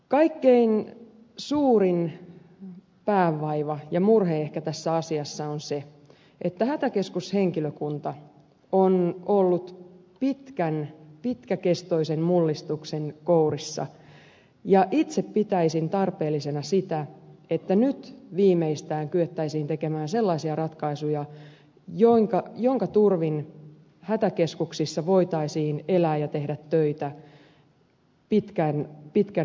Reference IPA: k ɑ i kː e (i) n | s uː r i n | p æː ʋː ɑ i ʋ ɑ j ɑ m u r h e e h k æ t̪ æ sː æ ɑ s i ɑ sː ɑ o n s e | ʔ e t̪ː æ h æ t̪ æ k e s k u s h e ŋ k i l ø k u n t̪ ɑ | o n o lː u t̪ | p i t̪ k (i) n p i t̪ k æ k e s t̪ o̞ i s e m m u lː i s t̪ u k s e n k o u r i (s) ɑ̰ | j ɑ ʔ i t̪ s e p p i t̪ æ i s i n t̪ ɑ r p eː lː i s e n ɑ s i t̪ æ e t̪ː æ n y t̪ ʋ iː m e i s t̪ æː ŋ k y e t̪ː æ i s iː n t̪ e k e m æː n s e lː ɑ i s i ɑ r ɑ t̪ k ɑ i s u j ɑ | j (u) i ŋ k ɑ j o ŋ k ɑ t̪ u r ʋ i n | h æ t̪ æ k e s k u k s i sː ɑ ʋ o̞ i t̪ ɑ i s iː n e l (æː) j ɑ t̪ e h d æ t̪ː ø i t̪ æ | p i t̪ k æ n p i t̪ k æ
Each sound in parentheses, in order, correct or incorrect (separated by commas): correct, incorrect, incorrect, incorrect, correct